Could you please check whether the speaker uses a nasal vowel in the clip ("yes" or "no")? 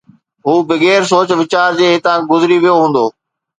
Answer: yes